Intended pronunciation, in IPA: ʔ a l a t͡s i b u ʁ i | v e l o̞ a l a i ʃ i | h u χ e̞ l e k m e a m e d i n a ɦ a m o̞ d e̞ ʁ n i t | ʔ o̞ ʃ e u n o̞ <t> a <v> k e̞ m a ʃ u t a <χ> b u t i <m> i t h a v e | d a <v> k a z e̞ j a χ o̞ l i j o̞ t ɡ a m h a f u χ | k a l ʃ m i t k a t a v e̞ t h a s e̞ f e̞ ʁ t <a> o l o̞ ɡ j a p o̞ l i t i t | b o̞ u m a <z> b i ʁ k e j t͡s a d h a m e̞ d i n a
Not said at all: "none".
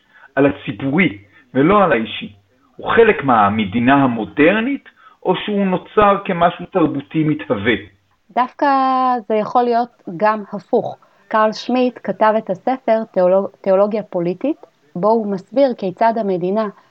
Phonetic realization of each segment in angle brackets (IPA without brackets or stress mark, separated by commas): t͡s, ʁ, ʁ, m, f, e, s